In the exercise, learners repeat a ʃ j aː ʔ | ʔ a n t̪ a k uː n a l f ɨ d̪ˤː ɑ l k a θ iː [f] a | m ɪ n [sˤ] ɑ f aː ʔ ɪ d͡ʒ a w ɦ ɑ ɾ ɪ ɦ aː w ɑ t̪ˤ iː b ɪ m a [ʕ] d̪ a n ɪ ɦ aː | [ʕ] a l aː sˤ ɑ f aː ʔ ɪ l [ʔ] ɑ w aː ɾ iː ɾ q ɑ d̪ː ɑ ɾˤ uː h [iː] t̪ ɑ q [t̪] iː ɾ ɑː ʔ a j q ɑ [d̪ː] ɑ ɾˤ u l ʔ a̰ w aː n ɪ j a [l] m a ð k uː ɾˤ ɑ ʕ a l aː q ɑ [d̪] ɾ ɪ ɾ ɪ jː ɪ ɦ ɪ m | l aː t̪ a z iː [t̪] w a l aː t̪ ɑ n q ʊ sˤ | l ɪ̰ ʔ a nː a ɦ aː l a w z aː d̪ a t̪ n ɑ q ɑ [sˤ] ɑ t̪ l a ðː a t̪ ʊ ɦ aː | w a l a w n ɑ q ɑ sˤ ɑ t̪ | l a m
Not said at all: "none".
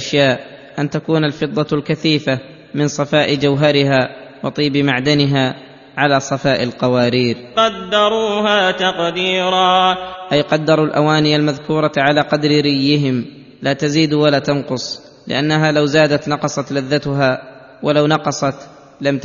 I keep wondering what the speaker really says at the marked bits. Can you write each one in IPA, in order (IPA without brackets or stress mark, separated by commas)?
f, sˤ, ʕ, ʕ, q, aː, d̪, d̪ː, l, d̪, d̪, sˤ